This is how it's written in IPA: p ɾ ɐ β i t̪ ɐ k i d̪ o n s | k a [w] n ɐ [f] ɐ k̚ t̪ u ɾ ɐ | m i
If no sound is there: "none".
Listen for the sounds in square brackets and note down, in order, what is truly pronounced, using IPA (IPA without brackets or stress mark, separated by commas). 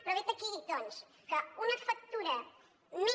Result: u, f